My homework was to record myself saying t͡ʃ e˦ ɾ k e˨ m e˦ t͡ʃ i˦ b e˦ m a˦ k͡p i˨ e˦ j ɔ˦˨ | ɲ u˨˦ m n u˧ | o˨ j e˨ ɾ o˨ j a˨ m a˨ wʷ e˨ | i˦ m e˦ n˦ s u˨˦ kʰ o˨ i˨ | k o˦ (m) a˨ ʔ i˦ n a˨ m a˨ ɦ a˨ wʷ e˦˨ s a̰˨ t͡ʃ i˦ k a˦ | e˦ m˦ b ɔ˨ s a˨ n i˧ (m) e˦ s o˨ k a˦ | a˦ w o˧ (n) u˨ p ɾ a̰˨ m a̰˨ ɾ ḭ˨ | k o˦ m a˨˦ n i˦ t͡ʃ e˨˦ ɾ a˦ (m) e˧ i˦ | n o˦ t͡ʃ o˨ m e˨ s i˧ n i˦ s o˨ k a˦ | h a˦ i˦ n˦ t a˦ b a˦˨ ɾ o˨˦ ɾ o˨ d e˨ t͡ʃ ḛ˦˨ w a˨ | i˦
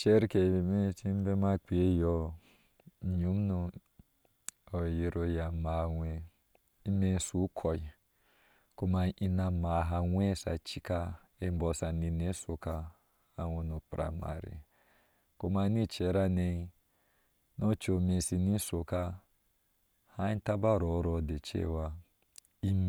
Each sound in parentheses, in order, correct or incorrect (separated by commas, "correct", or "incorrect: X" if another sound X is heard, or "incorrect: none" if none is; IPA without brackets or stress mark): correct, incorrect: n, correct, incorrect: n